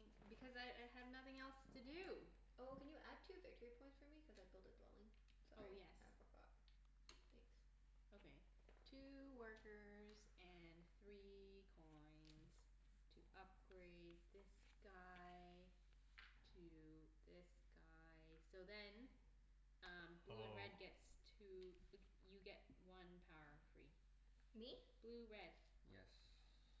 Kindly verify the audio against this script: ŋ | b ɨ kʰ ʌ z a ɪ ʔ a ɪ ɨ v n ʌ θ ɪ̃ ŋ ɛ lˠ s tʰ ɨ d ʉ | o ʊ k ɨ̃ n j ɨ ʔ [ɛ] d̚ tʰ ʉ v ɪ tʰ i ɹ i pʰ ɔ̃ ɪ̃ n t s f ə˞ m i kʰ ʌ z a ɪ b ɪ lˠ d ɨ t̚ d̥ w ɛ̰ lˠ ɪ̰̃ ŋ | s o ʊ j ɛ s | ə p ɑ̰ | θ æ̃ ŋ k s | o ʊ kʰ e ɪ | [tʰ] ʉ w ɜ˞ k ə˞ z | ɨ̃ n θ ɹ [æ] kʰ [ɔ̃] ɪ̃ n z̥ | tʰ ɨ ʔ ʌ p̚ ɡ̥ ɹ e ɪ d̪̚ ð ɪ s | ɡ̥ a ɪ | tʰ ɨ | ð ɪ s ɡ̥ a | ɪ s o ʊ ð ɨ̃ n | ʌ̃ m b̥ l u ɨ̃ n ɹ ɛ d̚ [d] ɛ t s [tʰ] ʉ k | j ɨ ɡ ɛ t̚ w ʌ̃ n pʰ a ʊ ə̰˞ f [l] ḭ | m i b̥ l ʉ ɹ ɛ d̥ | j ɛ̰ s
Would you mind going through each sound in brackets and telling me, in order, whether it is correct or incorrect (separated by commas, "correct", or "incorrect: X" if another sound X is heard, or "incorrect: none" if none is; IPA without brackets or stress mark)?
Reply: incorrect: æ, correct, incorrect: i, correct, incorrect: ɡ, correct, incorrect: ɹ